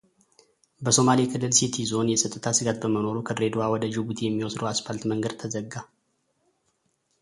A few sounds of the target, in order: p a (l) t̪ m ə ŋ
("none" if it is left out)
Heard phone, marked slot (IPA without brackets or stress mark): l